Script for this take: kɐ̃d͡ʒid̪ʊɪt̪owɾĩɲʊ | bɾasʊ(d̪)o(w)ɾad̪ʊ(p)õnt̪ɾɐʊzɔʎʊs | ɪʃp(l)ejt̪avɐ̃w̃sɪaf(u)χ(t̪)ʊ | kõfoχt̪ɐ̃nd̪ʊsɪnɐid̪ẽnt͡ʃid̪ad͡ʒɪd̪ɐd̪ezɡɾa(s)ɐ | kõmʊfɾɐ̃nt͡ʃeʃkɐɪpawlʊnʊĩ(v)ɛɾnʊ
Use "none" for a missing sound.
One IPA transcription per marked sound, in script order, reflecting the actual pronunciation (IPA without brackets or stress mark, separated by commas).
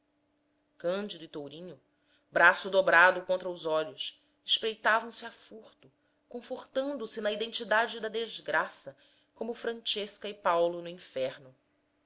d̪, b, k, ɾ, u, t̪, s, f